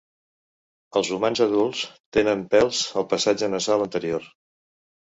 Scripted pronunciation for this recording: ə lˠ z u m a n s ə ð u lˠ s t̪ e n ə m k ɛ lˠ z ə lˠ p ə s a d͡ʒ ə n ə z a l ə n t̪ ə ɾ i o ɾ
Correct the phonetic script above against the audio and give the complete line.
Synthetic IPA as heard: ə lˠ z u m a n z ə ð u lˠ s t̪ e n ə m p ɛ lˠ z ə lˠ p ə s a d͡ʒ ə n ə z a l ə n t̪ ə ɾ i o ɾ